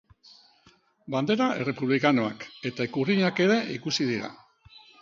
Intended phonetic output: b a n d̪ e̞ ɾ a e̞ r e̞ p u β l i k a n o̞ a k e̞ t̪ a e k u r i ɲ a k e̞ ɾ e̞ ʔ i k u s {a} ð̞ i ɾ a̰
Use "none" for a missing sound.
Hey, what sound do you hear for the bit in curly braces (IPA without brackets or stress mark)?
i